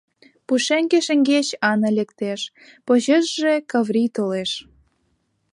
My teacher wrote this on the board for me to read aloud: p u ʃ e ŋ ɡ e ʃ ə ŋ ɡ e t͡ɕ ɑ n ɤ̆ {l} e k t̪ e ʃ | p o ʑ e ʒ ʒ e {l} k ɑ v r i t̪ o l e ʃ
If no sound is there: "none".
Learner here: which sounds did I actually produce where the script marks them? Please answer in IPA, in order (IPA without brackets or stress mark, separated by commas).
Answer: l, none